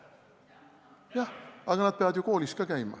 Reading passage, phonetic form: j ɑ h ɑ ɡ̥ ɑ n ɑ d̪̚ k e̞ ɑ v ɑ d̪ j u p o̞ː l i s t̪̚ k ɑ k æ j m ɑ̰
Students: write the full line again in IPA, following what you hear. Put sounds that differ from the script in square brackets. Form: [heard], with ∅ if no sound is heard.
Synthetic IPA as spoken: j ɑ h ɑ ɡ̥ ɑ n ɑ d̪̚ [p] e̞ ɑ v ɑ d̪ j u [k] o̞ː l i s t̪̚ k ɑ k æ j m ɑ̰